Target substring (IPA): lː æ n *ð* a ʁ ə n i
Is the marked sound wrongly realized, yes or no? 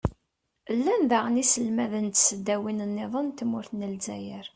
no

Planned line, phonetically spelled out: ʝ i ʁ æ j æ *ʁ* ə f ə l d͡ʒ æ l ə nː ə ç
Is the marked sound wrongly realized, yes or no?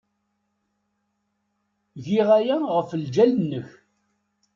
no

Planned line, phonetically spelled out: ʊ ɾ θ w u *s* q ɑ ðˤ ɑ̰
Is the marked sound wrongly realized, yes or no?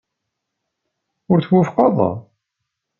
yes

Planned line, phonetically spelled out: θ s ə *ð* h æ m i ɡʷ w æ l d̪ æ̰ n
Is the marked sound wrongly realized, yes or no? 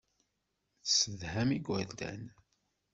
no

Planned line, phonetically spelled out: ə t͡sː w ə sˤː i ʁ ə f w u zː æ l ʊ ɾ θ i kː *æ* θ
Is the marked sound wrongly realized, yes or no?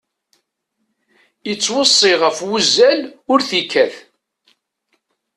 no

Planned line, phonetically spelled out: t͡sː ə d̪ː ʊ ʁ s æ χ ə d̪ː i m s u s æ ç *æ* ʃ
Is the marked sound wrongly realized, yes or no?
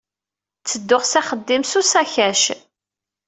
no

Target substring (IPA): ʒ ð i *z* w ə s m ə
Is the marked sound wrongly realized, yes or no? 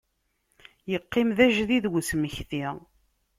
yes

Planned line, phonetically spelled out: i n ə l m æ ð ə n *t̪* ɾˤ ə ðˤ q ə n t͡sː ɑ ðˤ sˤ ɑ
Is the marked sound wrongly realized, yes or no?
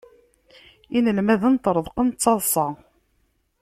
no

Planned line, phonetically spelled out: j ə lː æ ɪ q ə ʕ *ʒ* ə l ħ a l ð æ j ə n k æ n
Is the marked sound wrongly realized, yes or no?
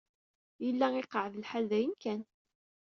yes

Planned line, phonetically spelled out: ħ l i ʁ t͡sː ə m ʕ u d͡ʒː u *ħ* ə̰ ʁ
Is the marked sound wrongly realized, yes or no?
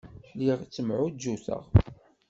yes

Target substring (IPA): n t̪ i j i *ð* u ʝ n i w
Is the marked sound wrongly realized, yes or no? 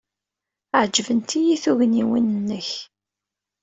yes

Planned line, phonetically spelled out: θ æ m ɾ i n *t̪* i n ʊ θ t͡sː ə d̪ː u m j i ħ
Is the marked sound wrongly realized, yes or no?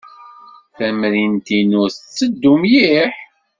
no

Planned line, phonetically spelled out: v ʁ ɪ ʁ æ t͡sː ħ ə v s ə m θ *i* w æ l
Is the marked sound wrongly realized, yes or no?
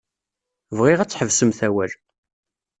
yes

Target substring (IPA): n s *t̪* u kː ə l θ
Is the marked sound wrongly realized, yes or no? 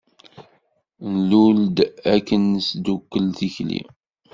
yes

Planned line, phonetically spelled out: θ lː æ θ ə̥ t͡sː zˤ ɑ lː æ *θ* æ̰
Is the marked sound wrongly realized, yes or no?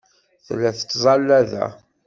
yes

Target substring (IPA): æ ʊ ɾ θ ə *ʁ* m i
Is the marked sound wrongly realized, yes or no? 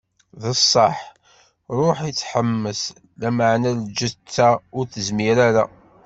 yes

